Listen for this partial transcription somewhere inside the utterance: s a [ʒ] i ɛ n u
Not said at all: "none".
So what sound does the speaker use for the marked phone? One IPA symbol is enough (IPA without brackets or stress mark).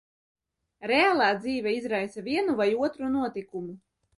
v